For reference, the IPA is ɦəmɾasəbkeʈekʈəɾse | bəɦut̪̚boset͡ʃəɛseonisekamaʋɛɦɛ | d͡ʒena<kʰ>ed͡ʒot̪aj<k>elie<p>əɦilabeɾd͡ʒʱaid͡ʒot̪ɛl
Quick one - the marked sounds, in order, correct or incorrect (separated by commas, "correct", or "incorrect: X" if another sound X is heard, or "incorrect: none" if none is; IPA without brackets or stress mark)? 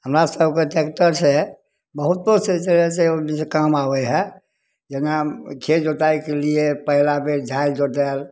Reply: correct, correct, correct